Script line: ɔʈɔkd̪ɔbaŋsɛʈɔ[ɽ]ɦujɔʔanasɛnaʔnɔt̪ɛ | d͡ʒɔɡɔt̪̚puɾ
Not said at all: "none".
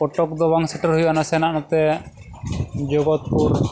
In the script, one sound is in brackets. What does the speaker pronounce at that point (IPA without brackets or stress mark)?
ɾ